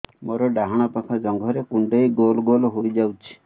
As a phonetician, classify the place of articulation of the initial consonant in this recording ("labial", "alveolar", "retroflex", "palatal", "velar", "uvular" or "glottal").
labial